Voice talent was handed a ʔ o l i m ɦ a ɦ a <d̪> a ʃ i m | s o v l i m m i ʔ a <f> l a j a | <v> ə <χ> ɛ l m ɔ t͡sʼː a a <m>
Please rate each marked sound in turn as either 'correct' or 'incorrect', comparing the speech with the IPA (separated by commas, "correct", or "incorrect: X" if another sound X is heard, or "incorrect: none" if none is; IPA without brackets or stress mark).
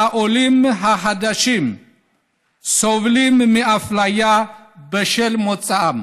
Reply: correct, correct, incorrect: b, incorrect: ʃ, correct